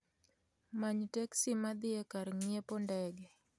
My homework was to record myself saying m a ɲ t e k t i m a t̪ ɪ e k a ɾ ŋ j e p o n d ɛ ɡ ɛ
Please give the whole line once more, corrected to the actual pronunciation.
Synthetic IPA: m a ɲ t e k s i m a d̪ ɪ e k a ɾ ŋ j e p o n d ɛ ɡ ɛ